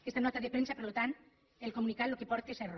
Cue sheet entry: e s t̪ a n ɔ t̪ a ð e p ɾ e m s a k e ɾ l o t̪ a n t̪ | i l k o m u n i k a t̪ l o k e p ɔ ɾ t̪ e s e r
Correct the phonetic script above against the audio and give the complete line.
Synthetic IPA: e s t̪ a n ɔ t̪ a ð e p ɾ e n s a p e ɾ l o t̪ a n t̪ | e l k o m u n i k a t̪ l o k e p ɔ ɾ t̪ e s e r